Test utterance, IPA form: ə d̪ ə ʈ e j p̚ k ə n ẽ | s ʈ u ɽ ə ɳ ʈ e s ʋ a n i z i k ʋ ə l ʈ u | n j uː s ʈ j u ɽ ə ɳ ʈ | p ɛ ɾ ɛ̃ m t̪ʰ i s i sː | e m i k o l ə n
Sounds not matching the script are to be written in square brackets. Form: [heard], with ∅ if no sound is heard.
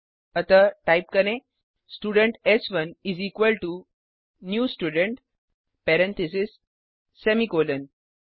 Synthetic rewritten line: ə [t̪] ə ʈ [a] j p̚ k ə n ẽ | s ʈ u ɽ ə ɳ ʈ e s ʋ [ə] n i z i k ʋ ə l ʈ u | n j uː s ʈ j u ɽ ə ɳ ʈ | p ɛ ɾ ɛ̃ [n] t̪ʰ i s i sː | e m i k o l ə n